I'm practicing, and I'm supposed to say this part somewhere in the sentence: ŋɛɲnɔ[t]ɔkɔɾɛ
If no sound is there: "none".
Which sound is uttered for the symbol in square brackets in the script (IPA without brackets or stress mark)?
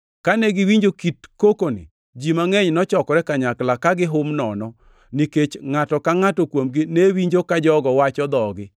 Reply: t͡ʃ